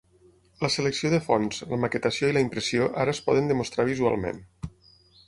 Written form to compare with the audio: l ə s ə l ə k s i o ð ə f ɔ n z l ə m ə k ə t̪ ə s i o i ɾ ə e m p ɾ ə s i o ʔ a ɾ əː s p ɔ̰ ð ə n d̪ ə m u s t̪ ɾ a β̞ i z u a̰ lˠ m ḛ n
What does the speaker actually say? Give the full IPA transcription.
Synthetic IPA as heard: l ə s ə l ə k s i o ð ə f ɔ n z l ə m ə k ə t̪ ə s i o i l ə i m p ɾ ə s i o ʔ a ɾ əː s p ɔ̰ ð ə n d̪ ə m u s t̪ ɾ a β̞ i z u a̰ lˠ m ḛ n